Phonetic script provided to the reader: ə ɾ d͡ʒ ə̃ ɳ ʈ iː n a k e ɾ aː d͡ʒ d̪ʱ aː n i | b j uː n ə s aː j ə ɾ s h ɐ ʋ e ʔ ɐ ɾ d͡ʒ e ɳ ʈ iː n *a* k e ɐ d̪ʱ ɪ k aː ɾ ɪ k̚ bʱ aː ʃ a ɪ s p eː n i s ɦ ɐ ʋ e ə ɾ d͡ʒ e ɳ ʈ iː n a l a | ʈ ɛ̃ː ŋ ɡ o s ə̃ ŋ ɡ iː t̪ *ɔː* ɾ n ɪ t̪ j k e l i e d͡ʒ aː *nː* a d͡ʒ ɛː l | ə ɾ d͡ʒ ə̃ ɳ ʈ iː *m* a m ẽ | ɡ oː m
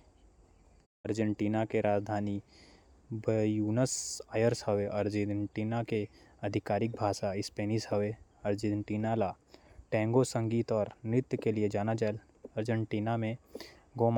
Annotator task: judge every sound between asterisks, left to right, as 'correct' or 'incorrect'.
correct, correct, incorrect, incorrect

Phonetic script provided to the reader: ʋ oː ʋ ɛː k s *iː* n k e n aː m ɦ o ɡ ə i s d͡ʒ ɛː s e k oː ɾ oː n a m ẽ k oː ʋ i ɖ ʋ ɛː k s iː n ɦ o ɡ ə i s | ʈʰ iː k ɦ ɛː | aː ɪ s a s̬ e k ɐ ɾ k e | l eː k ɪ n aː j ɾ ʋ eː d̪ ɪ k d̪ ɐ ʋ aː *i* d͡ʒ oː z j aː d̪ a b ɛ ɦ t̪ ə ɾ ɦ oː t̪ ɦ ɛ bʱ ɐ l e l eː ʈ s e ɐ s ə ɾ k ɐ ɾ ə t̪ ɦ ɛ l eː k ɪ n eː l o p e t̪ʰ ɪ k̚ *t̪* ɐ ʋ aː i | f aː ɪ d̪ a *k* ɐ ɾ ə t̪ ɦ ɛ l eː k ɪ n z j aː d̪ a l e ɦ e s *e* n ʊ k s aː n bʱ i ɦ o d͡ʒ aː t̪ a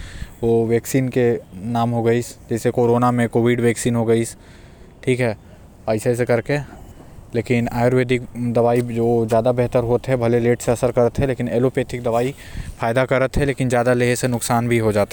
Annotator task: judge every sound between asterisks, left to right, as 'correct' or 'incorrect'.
correct, correct, incorrect, correct, correct

